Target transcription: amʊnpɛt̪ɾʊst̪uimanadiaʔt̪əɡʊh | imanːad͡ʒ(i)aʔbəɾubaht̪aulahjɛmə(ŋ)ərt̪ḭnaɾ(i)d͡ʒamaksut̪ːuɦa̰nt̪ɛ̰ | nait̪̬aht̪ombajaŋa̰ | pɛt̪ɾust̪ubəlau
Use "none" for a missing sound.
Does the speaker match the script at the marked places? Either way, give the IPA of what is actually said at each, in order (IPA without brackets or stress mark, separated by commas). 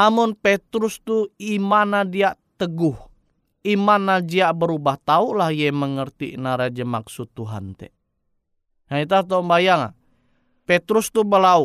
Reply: i, ŋ, a